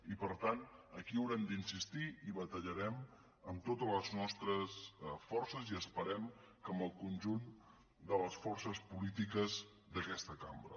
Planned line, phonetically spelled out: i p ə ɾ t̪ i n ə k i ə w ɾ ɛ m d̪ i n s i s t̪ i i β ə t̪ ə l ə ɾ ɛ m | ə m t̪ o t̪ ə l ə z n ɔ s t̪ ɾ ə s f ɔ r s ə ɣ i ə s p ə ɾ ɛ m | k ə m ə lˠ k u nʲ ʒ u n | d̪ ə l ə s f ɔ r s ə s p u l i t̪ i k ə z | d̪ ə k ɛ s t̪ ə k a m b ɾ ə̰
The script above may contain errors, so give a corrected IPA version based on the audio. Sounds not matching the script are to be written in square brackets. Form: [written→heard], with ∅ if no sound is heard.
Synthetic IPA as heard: i p ə ɾ t̪ [i→a] n ə k i ə w ɾ ɛ m d̪ i n s i s t̪ i i β ə t̪ ə [l→ʎ] ə ɾ ɛ m | ə m t̪ o t̪ ə l ə z n ɔ s t̪ ɾ ə s f ɔ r s ə [ɣ→z] i ə s p ə ɾ ɛ m | k ə m ə lˠ k u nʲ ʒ u n | d̪ ə l ə s f ɔ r s ə s p u l i t̪ i k ə z | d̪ ə k ɛ s t̪ ə k a m b ɾ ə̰

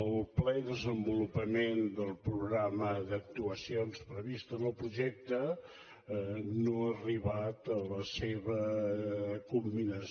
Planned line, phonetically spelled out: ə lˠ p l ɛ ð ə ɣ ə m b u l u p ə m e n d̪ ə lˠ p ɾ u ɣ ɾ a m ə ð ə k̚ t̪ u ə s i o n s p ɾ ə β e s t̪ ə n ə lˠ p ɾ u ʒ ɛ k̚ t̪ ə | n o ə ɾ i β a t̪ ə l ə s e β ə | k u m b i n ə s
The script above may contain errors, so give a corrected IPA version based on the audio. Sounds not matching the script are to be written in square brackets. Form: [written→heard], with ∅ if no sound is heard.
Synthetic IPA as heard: ə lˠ p l ɛ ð ə [ɣ→z] ə m b u l u p ə m e n d̪ ə lˠ p ɾ u ɣ ɾ a m ə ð ə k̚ t̪ u ə s i o n s p ɾ ə β [e→i] s t̪ ə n ə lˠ p ɾ u ʒ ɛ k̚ t̪ ə | n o ə [ɾ→r] i β a t̪ ə l ə s e β ə | k u m b i n ə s

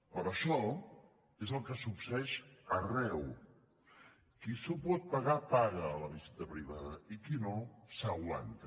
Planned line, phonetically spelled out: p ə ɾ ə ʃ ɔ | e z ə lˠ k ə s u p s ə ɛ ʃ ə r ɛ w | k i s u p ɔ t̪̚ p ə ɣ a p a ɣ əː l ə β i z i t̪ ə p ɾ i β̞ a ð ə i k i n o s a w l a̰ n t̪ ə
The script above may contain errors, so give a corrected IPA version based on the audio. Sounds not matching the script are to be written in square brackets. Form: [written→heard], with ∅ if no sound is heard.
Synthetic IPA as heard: p ə ɾ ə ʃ ɔ | e z ə lˠ k ə s u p s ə ɛ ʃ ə r ɛ w | k i s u p ɔ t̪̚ p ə ɣ a p a ɣ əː l ə β i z i t̪ ə p ɾ i β̞ a ð ə i k i n o s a w l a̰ n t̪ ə

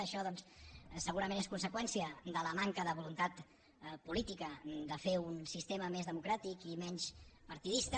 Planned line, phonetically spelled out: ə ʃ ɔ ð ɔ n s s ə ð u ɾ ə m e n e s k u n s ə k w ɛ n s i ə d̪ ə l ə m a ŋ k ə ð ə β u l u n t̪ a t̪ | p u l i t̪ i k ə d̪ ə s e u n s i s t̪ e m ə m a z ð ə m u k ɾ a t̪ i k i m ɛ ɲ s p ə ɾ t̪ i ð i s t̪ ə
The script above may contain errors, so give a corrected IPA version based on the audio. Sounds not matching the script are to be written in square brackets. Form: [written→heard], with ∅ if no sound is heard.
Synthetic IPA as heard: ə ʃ ɔ ð ɔ n s s ə [ð→ɣ] u ɾ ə m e n e s k u n s ə k w ɛ n s i ə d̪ ə l ə m a ŋ k ə ð ə β u l u n t̪ a t̪ | p u l i t̪ i k ə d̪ ə [s→f] e u n s i s t̪ e m ə m [a→e] z ð ə m u k ɾ a t̪ i k i m ɛ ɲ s p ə ɾ t̪ i ð i s t̪ ə

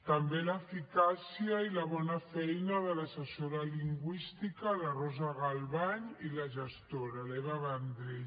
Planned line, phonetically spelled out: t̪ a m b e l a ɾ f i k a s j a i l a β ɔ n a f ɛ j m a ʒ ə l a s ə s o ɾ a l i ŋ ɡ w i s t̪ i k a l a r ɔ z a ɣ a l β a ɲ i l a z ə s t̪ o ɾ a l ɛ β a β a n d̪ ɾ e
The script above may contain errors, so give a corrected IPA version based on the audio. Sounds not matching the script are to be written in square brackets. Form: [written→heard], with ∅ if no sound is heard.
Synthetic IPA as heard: t̪ a m b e l a [ɾ→∅] f i k a s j a i l a β ɔ n a f ɛ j [m→n] a [ʒ→ð] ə l a s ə s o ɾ a l i ŋ ɡ w i s t̪ i k a l a r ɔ z a ɣ a l β a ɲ i l a [z→ʒ] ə s t̪ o ɾ a l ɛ β a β a n d̪ ɾ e

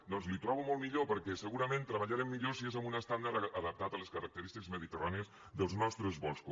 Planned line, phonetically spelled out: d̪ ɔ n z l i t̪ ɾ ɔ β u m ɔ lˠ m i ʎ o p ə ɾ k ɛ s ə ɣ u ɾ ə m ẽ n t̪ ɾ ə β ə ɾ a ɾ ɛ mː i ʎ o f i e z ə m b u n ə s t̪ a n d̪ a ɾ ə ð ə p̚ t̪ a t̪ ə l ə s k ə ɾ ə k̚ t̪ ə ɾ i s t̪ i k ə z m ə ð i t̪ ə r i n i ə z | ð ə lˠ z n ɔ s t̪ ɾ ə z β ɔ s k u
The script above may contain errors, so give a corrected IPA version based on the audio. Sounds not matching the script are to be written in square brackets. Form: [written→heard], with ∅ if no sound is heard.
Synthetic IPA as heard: d̪ ɔ n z l i t̪ ɾ ɔ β u m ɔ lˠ m i ʎ o p ə ɾ k ɛ s ə ɣ u ɾ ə m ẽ n t̪ ɾ ə β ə [ɾ→ʎ] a ɾ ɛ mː i ʎ o [f→s] i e z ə m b u n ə s t̪ a n d̪ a ɾ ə ð ə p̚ t̪ a t̪ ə l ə s k ə ɾ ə k̚ t̪ ə ɾ i s t̪ i k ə z m ə ð i t̪ ə r [i→a] n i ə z | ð ə lˠ z n ɔ s t̪ ɾ ə z β ɔ s k u

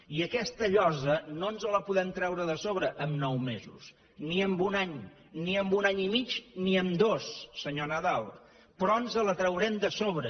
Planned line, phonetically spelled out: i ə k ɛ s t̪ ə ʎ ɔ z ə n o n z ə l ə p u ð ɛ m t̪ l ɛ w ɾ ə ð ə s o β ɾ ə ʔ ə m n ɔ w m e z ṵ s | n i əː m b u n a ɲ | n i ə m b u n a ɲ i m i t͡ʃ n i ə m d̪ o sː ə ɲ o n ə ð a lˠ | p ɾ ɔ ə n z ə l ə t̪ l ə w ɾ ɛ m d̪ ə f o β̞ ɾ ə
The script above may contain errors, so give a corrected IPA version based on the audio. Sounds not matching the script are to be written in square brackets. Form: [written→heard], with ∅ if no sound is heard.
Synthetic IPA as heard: i ə k ɛ s t̪ ə ʎ ɔ z ə n o n z ə l ə p u ð ɛ m t̪ [l→ɾ] ɛ w ɾ ə ð ə s o β ɾ ə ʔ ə m n ɔ w m e z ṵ s | n i [əː→ə] m b u n a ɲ | n i ə m b u n a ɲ i m i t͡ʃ n i ə m d̪ o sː ə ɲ o n ə ð a lˠ | p ɾ ɔ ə n z ə l ə t̪ [l→ɾ] ə w ɾ ɛ m d̪ ə [f→s] o β̞ ɾ ə

